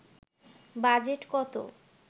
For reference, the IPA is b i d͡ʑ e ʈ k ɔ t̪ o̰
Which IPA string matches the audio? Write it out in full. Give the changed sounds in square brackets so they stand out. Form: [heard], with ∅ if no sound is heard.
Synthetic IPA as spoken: b [a] d͡ʑ e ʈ k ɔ t̪ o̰